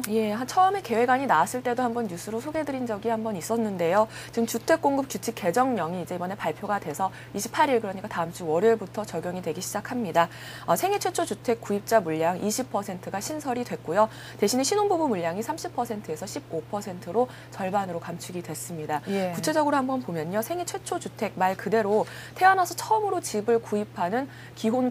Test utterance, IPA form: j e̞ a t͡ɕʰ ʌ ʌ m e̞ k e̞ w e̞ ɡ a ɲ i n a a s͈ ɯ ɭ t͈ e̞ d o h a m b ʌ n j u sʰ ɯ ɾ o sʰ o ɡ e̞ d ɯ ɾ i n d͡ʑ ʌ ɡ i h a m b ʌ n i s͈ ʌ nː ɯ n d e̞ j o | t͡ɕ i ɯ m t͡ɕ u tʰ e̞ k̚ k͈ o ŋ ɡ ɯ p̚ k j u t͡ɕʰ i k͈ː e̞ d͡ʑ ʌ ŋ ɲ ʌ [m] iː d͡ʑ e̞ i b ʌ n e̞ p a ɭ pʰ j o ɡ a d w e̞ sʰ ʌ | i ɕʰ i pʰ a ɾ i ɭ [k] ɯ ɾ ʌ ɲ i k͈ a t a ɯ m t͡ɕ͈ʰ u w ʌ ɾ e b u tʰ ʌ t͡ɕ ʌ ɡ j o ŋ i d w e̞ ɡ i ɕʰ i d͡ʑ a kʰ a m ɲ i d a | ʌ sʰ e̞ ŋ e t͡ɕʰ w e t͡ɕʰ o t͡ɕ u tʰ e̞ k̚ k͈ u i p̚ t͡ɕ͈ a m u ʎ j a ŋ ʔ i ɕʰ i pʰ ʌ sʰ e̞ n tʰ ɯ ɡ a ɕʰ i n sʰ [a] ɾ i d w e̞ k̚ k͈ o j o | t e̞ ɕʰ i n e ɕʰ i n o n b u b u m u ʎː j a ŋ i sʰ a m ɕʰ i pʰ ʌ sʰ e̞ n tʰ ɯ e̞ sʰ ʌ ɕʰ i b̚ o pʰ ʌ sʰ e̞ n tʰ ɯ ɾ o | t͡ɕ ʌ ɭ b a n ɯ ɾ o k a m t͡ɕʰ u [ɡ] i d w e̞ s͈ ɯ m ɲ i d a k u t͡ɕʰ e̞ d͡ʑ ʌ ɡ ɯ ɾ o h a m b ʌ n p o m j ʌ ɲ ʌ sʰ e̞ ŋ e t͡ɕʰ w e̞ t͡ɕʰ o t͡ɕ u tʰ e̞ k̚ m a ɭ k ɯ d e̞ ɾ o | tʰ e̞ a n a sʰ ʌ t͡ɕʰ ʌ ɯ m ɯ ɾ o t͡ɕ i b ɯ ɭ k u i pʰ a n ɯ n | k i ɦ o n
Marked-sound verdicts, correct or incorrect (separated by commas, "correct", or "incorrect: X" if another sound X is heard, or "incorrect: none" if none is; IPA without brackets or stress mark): incorrect: ŋ, correct, incorrect: ʌ, correct